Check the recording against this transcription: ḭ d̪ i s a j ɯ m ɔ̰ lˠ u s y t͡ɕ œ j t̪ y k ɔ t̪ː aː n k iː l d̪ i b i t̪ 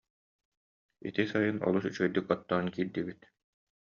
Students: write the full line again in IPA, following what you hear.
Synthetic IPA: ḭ t̪ i s a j ɯ n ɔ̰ lˠ u s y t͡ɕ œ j d̪ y k ɔ t̪ː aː n k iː ɾ d̪ i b i t̪